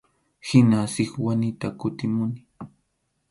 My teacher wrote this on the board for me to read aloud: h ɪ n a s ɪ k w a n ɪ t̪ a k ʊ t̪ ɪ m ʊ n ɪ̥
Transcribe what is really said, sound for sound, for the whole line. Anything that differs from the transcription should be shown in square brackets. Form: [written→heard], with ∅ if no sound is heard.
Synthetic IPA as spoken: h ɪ n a s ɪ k w a n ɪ t̪ a k ʊ t̪ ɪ m ʊ n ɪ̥